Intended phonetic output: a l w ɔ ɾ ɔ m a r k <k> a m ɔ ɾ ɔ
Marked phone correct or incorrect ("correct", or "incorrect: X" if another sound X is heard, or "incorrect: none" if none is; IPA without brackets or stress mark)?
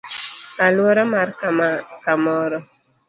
correct